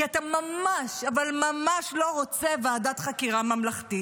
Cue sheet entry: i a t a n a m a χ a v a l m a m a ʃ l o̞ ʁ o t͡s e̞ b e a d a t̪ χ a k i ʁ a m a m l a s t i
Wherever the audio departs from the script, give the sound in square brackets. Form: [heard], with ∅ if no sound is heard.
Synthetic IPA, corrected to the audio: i a t a [m] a m a [ʃ] a v a l m a m a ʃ l o̞ ʁ o t͡s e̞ [v] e a d a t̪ χ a k i ʁ a m a m l a [χ] t i